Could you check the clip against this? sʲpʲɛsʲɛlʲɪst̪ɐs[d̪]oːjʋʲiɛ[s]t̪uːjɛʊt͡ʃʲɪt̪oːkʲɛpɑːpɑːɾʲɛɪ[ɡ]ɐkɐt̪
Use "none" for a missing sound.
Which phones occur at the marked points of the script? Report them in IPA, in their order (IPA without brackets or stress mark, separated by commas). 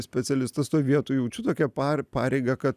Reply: t̪, none, ɡ